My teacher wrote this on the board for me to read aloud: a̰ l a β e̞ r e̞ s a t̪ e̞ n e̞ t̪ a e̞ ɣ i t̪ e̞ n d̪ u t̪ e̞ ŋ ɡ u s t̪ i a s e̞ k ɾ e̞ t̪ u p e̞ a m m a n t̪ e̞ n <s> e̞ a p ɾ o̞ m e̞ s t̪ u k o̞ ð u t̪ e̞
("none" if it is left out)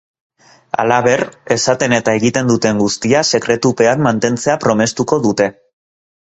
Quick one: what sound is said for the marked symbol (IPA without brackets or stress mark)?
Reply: t͡s